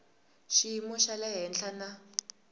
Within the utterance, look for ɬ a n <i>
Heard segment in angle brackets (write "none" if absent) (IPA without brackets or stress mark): a